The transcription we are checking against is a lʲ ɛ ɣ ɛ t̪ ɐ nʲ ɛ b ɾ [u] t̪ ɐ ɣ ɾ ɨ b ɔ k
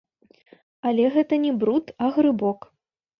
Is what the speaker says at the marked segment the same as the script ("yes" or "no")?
yes